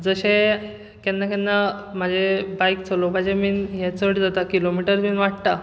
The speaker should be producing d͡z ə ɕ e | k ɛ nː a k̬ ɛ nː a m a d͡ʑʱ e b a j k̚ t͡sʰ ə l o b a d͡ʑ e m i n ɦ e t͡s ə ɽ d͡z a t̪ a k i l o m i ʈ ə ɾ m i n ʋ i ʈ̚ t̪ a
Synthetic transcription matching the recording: d͡z ə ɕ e | k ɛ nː a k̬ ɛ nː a m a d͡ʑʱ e b a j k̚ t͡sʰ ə l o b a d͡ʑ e m i n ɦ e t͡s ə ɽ d͡z a t̪ a k i l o m i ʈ ə ɾ m i n ʋ a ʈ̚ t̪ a